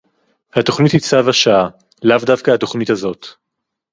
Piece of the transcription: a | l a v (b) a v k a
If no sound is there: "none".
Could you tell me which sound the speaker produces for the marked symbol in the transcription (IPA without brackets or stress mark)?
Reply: d